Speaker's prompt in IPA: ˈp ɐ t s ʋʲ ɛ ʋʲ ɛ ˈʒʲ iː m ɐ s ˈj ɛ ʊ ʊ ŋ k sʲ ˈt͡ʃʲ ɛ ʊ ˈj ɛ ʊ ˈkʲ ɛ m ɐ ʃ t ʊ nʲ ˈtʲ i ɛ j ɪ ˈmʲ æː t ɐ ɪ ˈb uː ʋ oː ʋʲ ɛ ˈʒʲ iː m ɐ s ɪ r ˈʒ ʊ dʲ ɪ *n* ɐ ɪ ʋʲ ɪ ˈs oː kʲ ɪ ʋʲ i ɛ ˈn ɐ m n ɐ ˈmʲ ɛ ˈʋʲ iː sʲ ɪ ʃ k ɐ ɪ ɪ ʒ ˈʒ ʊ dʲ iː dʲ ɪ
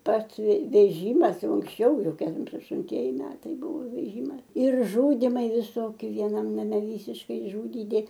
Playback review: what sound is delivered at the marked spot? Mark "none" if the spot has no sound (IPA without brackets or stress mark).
m